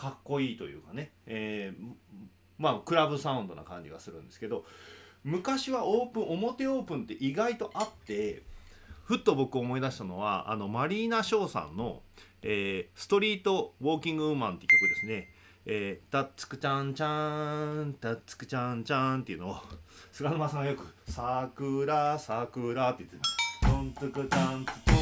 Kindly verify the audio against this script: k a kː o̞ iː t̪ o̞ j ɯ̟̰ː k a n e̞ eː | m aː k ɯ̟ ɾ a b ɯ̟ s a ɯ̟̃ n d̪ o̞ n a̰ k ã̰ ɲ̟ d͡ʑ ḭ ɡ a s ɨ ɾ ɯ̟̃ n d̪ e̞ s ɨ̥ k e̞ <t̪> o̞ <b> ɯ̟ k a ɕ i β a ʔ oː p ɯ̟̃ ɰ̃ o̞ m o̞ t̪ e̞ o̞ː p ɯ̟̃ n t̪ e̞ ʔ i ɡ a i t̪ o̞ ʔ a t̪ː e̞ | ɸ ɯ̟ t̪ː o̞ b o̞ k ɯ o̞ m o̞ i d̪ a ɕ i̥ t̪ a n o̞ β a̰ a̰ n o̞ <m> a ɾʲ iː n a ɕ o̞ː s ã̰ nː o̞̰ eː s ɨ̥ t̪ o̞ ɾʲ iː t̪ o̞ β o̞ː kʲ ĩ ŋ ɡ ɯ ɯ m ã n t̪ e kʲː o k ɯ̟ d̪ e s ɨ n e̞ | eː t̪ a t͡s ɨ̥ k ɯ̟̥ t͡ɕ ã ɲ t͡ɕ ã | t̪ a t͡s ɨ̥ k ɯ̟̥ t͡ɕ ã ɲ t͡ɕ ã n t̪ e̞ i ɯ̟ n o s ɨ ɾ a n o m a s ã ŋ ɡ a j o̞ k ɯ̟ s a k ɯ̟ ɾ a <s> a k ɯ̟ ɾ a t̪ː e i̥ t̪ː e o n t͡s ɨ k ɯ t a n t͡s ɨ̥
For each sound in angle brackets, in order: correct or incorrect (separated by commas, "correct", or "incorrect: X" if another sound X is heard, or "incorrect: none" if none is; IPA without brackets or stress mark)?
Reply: incorrect: d̪, incorrect: m, correct, correct